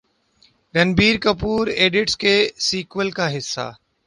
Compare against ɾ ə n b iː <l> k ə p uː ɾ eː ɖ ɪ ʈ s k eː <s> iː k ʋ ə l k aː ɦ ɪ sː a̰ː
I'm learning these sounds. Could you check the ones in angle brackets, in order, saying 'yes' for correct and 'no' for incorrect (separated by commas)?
no, yes